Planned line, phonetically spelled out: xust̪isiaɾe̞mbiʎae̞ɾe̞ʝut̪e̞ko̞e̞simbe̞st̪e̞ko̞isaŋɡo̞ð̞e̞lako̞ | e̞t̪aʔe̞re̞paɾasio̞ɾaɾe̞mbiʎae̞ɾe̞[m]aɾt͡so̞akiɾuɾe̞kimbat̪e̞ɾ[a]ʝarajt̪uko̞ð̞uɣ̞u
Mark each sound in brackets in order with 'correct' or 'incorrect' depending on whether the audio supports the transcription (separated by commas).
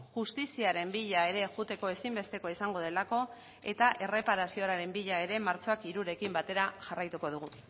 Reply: correct, correct